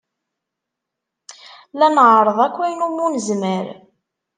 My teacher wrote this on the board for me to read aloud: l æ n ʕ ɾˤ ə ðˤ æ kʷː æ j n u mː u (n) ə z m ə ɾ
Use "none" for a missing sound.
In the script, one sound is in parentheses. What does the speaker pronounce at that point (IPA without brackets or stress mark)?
n